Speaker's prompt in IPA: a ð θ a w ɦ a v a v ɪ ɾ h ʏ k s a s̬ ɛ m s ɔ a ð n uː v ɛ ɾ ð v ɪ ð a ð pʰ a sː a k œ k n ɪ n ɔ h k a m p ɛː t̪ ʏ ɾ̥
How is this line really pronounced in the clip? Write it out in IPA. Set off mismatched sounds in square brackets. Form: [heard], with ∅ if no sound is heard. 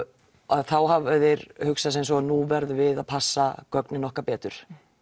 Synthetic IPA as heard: a ð θ a w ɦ a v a [ð] ɪ ɾ h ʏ k s a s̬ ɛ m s ɔ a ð n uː v ɛ ɾ ð v ɪ ð a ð pʰ a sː a k œ k n ɪ n ɔ h k a [∅] p ɛː t̪ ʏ ɾ̥